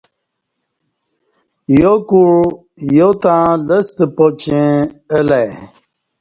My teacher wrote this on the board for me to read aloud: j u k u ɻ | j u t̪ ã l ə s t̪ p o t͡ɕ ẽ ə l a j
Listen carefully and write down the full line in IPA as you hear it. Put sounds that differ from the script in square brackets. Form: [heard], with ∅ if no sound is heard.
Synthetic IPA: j [o] k u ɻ | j [o] t̪ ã l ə s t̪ p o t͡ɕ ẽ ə l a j